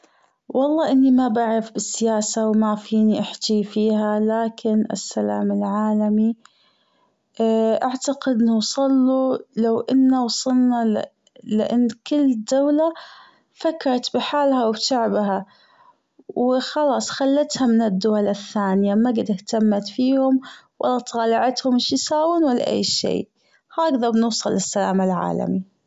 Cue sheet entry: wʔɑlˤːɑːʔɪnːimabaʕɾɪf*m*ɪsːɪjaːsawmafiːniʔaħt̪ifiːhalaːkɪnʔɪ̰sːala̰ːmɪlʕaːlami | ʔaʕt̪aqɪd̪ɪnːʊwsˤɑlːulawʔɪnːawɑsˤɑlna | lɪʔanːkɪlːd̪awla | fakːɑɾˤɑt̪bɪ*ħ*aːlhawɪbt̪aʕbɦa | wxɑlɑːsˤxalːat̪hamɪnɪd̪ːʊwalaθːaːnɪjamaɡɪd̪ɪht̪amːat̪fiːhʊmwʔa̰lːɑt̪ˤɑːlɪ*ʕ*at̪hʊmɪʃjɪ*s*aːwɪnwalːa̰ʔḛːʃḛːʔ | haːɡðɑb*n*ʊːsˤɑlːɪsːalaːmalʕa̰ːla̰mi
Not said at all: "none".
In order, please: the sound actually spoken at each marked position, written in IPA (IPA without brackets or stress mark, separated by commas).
b, ħ, ʕ, s, n